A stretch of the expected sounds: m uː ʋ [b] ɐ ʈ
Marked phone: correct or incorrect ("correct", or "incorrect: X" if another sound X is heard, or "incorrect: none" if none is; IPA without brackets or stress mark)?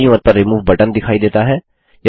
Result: correct